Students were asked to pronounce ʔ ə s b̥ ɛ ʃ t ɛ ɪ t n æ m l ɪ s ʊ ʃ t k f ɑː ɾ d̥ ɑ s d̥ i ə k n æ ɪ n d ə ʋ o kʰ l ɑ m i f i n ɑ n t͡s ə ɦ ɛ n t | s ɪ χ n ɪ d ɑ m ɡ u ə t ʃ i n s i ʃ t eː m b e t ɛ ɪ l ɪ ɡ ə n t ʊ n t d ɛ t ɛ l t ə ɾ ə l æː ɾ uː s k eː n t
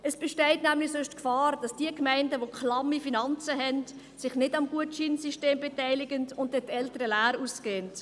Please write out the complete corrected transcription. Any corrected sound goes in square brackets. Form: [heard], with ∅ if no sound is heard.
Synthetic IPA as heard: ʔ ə s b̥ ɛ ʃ t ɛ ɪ t n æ m l ɪ s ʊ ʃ t k f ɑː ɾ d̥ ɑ s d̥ i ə k [m] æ ɪ n d ə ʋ o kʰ l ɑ m i f i n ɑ n t͡s ə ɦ ɛ n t | s ɪ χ n ɪ d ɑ m ɡ u ə t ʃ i n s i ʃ t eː m b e t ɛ ɪ l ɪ ɡ ə n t ʊ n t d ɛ t ɛ l t ə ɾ ə l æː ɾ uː s k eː n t